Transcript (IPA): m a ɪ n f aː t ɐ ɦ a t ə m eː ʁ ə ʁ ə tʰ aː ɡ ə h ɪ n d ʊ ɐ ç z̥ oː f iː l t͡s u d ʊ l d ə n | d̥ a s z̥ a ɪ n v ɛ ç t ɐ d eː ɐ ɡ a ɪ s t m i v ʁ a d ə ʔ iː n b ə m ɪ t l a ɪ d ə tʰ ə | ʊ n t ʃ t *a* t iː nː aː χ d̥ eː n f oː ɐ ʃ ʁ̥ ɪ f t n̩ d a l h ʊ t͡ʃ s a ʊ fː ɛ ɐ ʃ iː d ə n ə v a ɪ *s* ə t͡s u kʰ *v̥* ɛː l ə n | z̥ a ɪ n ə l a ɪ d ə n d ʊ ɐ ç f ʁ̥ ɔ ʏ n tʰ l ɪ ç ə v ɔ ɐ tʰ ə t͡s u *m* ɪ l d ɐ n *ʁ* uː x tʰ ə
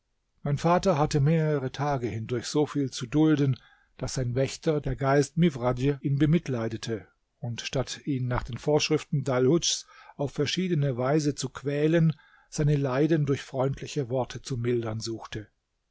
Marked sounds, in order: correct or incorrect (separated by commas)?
correct, incorrect, correct, correct, incorrect